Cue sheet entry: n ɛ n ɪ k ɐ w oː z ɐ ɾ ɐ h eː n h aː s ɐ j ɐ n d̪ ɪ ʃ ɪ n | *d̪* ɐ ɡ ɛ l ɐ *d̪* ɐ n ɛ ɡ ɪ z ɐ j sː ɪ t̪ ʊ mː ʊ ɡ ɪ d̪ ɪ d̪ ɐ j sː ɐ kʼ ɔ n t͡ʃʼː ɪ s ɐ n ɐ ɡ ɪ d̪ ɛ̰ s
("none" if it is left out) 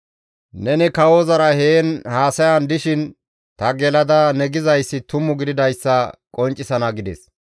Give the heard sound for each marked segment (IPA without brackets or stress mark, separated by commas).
t̪, d̪